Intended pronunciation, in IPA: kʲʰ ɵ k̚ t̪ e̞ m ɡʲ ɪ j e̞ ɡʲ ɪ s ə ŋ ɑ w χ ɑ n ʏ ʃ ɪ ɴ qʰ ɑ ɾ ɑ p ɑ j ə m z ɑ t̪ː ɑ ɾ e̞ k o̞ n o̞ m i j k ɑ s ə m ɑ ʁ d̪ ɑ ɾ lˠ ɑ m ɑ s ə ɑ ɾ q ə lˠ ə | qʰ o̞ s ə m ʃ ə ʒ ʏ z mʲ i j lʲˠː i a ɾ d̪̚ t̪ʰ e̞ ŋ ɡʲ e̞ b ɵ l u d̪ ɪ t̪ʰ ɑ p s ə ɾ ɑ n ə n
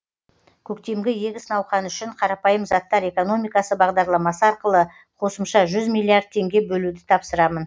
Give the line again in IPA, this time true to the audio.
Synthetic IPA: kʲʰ ɵ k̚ t̪ e̞ m ɡʲ ɪ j e̞ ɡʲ ɪ s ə n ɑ w χ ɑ n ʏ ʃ ɪ ɴ qʰ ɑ ɾ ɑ p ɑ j ə m z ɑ t̪ː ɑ ɾ e̞ k o̞ n o̞ m i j k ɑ s ə b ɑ ʁ d̪ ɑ ɾ lˠ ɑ m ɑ s ə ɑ ɾ q ə lˠ ə | qʰ o̞ s ə m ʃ ɑ ʒ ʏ z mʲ i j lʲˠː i a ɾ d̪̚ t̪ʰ e̞ ŋ ɡʲ e̞ b ɵ l u d̪ ɪ t̪ʰ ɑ p s ə ɾ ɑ m ə n

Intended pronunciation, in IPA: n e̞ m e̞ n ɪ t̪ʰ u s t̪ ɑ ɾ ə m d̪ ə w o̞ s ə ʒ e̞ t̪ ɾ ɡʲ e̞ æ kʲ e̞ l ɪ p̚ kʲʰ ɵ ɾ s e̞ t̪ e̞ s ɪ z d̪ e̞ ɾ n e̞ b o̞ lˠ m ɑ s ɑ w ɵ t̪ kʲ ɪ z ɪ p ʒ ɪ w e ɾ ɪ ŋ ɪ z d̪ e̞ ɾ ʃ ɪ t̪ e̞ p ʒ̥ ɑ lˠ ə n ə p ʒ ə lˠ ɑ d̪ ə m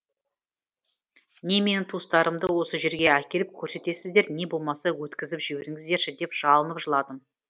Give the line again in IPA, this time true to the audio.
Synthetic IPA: n e̞ m e̞ n ɪ t̪ʰ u s t̪ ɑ ɾ ə m d̪ ə w o̞ s ə ʒ e̞ ɾ ɡʲ e̞ æ kʲ e̞ l ɪ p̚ kʲʰ ɵ ɾ s e̞ t̪ e̞ s ɪ z d̪ e̞ ɾ n e̞ b o̞ lˠ m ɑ s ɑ w ɵ t̪ kʲ ɪ z ɪ p ʒ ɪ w e ɾ ɪ ŋ ɪ z d̪ e̞ ɾ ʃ ɪ d̪ e̞ p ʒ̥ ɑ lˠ ə n ə p ʒ ə lˠ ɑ d̪ ə m

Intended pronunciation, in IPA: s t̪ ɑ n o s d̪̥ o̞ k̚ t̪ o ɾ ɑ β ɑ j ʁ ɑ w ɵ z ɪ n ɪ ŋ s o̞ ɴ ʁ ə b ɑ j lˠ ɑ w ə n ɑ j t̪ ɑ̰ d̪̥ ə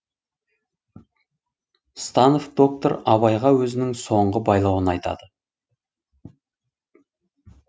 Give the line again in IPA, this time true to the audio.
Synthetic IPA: s t̪ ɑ n o f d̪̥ o̞ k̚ t̪ o ɾ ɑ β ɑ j ʁ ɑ w ɵ z ɪ n ɪ ŋ s o̞ ɴ ʁ ə b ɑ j lˠ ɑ w ə n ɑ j t̪ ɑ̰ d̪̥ ə

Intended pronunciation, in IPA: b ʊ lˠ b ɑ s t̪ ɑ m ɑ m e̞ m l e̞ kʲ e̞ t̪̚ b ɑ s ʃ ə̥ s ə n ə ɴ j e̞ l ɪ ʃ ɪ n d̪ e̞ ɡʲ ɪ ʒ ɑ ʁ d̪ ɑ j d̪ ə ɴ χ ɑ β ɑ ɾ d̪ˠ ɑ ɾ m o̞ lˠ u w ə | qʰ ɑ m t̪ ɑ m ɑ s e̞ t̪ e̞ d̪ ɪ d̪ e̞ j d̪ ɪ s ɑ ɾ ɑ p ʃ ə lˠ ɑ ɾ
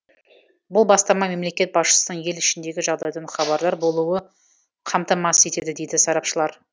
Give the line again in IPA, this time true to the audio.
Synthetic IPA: b ʊ lˠ b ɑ s t̪ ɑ m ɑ m e̞ m l e̞ kʲ e̞ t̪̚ b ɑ s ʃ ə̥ s ə n ə ɴ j e̞ l ɪ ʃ ɪ n d̪ e̞ ɡʲ ɪ ʒ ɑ ʁ d̪ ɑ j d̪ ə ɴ χ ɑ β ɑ ɾ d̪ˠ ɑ ɾ b o̞ lˠ u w ə | qʰ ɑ m t̪ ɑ m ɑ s e̞ t̪ e̞ d̪ ɪ d̪ e̞ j d̪ ɪ s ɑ ɾ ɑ p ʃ ə lˠ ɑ ɾ

